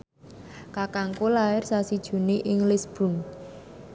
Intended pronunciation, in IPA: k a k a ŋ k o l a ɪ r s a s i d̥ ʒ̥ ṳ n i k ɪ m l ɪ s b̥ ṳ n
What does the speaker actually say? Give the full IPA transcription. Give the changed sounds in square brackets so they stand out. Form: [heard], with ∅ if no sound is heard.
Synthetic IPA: k a k a ŋ k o l a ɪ r s a s i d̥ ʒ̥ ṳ n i [ʔ] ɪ [ŋ] l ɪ s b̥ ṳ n